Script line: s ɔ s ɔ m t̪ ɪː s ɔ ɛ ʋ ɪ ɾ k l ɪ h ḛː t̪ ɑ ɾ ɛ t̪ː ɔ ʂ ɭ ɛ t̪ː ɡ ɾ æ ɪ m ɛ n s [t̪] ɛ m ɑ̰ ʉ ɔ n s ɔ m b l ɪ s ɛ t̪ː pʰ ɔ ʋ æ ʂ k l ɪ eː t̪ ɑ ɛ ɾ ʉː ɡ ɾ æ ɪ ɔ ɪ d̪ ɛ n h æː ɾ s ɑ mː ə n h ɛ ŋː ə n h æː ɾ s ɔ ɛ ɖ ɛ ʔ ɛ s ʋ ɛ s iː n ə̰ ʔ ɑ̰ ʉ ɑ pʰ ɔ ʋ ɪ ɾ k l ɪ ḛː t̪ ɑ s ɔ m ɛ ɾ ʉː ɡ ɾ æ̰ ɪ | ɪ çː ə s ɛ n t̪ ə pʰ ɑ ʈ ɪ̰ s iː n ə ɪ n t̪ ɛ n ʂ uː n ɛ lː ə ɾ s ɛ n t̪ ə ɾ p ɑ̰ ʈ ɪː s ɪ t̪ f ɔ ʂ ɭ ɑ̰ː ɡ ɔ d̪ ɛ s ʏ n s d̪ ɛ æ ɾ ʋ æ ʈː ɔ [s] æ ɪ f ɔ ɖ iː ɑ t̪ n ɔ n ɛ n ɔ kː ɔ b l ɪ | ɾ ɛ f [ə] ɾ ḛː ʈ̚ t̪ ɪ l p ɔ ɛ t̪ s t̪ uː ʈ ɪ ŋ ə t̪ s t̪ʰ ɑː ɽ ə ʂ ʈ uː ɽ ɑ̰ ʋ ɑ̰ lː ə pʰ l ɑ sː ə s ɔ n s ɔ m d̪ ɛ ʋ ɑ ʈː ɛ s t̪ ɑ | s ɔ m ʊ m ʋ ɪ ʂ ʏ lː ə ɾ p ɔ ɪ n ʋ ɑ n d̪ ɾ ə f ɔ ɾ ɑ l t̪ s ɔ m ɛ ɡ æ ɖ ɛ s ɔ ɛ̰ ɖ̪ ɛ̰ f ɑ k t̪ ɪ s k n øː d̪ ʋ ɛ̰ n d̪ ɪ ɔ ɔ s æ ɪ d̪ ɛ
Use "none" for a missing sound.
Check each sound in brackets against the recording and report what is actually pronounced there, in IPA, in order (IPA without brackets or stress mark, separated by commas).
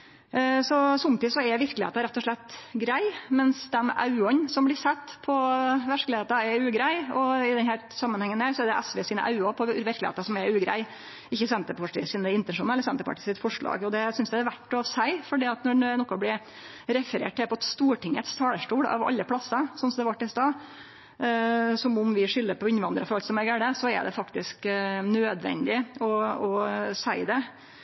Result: d̪, s, ə